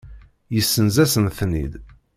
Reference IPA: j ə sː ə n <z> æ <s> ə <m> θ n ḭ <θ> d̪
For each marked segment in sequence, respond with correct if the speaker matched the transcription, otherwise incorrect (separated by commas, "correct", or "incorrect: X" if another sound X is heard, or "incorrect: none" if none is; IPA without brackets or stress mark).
correct, correct, incorrect: n, incorrect: none